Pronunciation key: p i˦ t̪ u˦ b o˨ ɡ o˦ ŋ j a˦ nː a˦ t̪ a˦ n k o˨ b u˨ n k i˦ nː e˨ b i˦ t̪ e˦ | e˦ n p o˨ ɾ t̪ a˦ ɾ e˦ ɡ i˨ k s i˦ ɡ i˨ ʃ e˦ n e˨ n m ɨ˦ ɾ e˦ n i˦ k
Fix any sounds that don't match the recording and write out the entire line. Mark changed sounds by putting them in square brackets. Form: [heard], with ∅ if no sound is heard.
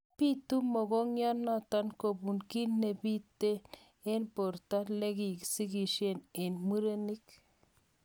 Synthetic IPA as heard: p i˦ t̪ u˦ [m] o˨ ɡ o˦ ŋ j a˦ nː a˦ t̪ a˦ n k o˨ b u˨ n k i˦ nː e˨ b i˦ t̪ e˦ | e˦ n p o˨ ɾ t̪ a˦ [l] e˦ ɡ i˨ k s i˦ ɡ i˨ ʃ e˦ n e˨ n m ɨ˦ ɾ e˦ n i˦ k